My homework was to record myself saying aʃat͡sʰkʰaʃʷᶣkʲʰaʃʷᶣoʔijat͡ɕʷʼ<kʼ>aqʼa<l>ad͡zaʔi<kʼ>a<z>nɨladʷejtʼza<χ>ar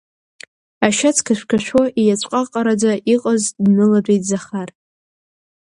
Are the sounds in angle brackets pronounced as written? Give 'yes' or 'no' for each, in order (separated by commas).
no, no, no, yes, yes